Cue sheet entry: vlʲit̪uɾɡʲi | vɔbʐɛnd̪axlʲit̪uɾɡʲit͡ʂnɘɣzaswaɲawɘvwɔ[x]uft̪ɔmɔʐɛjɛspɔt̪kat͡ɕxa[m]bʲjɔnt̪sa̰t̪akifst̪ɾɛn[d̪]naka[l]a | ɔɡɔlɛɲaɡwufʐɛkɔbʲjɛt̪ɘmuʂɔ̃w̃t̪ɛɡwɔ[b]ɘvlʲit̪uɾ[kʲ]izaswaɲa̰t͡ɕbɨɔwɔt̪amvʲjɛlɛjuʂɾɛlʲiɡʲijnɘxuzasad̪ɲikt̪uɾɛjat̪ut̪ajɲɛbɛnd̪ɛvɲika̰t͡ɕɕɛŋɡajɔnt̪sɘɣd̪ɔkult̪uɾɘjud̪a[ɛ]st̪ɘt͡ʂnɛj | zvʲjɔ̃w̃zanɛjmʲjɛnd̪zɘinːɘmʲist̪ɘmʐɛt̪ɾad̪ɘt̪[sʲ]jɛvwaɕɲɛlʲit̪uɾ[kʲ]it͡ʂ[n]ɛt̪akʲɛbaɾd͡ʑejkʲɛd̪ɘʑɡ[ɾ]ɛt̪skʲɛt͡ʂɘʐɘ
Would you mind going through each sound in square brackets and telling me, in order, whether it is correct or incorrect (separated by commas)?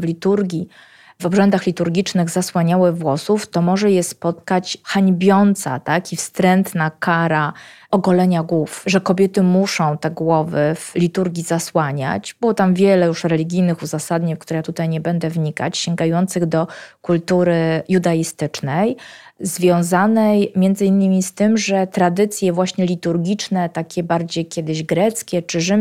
incorrect, incorrect, incorrect, incorrect, incorrect, incorrect, incorrect, correct, incorrect, correct, correct